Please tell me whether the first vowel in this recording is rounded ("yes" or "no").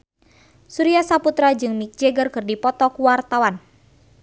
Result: yes